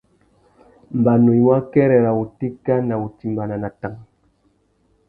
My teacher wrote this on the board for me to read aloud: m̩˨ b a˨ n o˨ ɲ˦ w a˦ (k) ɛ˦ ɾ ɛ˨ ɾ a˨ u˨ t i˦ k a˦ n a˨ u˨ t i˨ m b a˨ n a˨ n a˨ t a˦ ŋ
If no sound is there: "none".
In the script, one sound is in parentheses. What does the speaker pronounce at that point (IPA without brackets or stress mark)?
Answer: k